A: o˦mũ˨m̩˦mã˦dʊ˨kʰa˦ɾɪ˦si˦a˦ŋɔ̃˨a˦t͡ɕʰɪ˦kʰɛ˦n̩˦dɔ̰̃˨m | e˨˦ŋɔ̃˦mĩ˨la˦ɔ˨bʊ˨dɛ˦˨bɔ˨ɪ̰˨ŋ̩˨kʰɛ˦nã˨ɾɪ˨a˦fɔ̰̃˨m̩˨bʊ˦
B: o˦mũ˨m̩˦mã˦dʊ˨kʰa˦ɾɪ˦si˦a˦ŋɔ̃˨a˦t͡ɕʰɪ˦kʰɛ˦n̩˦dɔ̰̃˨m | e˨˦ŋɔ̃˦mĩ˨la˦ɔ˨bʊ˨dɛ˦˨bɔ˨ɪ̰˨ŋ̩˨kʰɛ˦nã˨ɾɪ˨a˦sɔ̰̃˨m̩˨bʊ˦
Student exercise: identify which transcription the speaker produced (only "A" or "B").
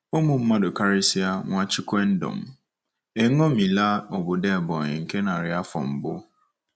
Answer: A